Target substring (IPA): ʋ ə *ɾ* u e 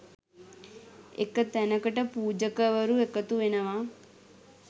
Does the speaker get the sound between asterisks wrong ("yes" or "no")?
no